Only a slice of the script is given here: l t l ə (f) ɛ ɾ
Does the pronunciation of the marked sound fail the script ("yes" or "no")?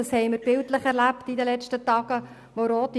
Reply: yes